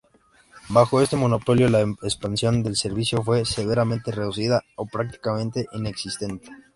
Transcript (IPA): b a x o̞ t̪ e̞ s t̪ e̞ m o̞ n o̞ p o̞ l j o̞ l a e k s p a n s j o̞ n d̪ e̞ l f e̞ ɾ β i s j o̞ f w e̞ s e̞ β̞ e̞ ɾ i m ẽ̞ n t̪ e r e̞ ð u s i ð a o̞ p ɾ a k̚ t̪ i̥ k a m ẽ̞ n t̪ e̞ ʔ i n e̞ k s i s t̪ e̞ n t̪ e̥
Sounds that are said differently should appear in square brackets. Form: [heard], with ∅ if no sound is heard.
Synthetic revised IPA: b a x o̞ [∅] e̞ s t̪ e̞ m o̞ n o̞ p o̞ l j o̞ l a e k s p a n s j o̞ n d̪ e̞ l [s] e̞ ɾ β i s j o̞ f w e̞ s e̞ β̞ e̞ ɾ [a] m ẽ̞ n t̪ e r e̞ ð u s i ð a o̞ p ɾ a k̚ t̪ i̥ k a m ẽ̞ n t̪ e̞ ʔ i n e̞ k s i s t̪ e̞ n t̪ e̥